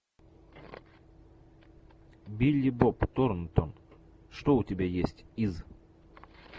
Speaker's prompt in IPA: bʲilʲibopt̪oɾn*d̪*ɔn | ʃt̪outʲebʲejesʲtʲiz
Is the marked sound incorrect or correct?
incorrect: t̪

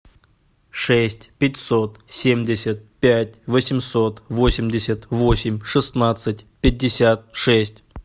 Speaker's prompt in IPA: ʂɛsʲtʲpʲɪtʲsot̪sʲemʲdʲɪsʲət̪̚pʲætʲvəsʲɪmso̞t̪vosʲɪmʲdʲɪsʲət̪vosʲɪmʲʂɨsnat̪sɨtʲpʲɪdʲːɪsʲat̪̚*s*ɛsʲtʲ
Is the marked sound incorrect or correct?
incorrect: ʂ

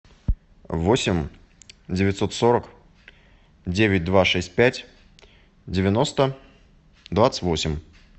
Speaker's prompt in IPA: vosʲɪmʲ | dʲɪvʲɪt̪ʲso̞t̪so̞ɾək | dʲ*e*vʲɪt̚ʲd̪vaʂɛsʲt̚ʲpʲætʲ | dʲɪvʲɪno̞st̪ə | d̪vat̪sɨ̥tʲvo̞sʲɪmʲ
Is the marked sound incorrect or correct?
correct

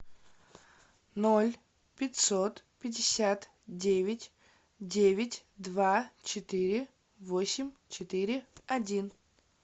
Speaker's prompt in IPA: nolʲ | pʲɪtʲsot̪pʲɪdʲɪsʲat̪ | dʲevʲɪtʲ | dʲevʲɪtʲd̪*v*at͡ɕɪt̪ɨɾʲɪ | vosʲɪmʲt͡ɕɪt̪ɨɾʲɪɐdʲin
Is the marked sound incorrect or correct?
correct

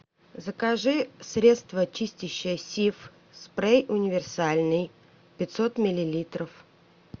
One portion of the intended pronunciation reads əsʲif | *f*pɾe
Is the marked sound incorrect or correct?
incorrect: s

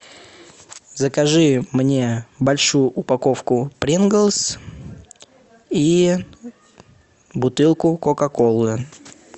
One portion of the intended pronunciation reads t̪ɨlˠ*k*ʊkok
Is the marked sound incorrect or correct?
correct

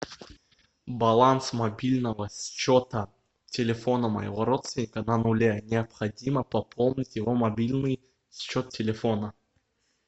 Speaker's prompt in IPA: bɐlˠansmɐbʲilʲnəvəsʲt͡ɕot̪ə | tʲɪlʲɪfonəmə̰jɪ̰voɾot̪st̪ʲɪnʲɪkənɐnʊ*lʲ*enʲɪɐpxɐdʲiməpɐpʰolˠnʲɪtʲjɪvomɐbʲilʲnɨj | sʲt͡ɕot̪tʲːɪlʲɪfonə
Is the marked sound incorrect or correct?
correct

